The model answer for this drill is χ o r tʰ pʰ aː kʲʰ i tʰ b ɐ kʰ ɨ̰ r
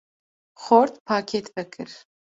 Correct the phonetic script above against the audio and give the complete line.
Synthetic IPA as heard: χ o r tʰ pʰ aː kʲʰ e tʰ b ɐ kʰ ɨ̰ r